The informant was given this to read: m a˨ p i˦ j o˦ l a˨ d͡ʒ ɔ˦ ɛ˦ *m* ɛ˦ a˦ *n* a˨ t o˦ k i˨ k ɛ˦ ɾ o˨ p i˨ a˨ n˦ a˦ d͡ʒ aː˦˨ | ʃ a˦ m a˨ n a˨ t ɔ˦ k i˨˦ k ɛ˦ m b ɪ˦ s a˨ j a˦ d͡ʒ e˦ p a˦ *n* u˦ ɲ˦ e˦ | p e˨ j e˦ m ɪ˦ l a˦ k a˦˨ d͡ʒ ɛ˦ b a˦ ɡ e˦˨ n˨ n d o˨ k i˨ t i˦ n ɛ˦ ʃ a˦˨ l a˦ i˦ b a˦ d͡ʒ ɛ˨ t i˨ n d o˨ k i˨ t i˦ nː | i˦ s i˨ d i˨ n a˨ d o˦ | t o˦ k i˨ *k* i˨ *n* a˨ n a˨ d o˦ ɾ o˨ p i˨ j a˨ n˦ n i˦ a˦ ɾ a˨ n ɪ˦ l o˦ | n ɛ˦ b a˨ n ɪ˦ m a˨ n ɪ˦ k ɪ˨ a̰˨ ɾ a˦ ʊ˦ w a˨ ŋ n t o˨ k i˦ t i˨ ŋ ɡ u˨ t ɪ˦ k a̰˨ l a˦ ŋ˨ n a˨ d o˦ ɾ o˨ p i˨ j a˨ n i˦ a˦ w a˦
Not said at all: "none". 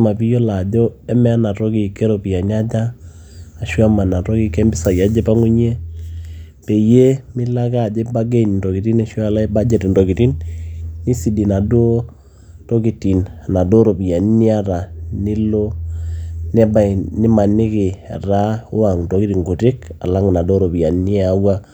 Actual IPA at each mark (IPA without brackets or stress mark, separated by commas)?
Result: m, n, ŋ, t, n